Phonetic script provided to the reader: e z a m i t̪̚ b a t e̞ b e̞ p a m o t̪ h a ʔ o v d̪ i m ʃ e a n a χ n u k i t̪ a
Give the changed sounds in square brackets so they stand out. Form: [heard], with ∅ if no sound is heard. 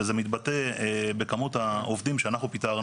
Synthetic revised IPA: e z [e] m i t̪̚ b a t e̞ b e̞ [k] a m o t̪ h a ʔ o v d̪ i m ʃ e a n a χ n u [p] i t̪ a